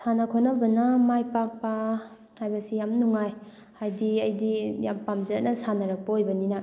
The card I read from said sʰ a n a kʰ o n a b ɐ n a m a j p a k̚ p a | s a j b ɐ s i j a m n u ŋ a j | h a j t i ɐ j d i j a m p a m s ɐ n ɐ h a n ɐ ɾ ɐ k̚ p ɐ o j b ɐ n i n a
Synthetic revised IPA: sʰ a n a kʰ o n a b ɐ n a m a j p a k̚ p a | h a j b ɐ s i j a m n u ŋ a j | h a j d i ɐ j d i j a m p a m z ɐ n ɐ s a n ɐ ɾ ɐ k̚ p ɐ o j b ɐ n i n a